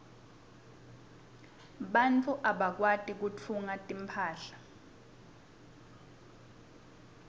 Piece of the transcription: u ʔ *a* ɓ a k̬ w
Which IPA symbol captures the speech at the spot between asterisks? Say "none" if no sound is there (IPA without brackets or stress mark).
a